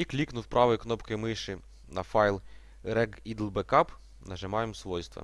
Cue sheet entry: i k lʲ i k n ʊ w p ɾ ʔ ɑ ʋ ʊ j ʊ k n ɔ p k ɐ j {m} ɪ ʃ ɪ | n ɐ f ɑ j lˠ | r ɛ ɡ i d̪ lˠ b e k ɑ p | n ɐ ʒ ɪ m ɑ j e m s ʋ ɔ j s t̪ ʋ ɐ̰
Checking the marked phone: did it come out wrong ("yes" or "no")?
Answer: no